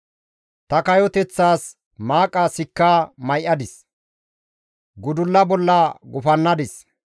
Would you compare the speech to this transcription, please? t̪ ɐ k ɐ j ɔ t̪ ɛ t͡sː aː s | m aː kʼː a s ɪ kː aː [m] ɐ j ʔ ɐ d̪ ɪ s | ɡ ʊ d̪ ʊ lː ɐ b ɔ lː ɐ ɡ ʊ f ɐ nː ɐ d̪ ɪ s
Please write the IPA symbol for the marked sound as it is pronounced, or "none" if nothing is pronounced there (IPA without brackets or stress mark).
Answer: m